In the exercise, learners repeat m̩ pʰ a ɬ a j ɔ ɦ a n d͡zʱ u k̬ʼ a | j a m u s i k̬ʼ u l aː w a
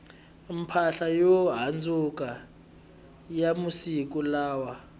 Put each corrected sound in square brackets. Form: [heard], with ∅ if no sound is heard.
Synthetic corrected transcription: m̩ pʰ a ɬ a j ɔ ɦ a n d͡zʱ u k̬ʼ a | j a m u s i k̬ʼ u l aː w a